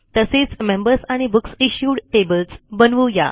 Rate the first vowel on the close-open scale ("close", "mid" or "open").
mid